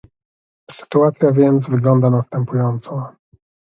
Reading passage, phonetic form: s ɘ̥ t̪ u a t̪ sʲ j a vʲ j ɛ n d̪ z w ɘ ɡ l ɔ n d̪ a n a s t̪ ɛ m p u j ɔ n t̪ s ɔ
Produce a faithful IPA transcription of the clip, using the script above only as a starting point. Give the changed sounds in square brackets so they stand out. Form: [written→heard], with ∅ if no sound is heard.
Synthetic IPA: s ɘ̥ t̪ u a t̪ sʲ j a vʲ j ɛ n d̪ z [w→v] ɘ ɡ l ɔ n d̪ a n a s t̪ ɛ m p u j ɔ n t̪ s ɔ